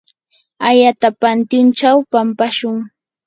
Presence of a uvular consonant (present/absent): absent